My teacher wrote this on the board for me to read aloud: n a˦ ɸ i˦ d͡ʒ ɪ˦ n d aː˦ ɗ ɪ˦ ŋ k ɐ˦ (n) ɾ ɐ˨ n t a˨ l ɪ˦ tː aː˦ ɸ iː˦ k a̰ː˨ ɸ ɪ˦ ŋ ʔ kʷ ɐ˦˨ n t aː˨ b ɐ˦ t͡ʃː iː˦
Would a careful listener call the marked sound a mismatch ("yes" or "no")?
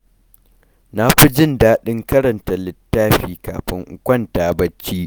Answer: yes